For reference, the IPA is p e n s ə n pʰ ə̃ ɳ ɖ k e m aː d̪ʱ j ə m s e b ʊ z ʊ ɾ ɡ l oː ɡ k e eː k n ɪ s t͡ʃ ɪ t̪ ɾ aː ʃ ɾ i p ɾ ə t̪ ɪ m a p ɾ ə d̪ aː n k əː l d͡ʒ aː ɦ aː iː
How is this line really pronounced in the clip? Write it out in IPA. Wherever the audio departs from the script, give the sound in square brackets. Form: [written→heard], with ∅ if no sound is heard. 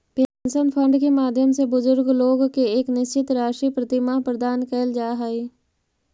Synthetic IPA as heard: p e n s ə n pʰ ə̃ ɳ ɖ k e m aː d̪ʱ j ə m s e b ʊ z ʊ ɾ ɡ l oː ɡ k e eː k n ɪ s t͡ʃ ɪ t̪ ɾ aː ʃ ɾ i p ɾ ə t̪ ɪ m a p ɾ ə d̪ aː n k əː l d͡ʒ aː ɦ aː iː